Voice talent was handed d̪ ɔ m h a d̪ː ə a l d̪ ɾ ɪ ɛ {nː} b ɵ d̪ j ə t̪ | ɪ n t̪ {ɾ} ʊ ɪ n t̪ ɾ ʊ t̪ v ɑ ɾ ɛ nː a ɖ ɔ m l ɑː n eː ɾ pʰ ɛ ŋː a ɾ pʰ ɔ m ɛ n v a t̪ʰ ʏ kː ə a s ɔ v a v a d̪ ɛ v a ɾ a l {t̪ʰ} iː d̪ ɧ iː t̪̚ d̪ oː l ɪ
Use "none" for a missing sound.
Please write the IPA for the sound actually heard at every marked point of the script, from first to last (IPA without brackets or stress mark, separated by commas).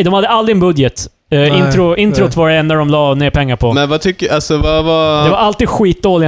n, ɾ, t̪